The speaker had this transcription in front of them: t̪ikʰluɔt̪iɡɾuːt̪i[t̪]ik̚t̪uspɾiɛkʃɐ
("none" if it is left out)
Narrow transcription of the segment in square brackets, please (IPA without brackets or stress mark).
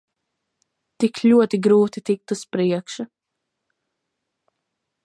t̪